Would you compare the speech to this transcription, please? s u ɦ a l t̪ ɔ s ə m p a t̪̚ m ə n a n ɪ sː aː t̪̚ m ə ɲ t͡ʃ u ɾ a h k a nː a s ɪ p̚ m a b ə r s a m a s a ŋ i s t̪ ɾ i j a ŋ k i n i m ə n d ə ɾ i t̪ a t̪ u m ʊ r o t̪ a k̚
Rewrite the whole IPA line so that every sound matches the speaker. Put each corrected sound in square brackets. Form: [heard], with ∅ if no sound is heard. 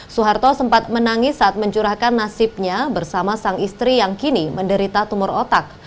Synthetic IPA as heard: s u ɦ a [r] t̪ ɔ s ə m p a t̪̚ m ə n a [ŋ] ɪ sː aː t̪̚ m ə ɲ t͡ʃ u ɾ a h k a nː a s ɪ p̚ [ɲ] a b ə r s a m a s a ŋ i s t̪ ɾ i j a ŋ k i n i m ə n d ə ɾ i t̪ a t̪ u m ʊ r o t̪ a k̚